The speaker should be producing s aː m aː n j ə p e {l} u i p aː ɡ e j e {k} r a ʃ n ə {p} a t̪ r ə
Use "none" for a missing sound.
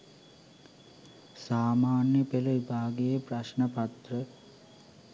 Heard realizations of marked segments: l, p, p

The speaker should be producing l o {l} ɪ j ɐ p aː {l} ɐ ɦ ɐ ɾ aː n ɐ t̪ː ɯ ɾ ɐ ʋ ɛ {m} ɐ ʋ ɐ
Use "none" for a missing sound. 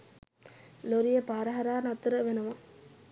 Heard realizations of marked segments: ɾ, ɾ, n

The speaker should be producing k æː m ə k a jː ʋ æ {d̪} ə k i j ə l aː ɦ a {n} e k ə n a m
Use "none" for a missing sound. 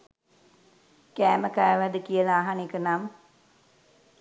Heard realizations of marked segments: d̪, n

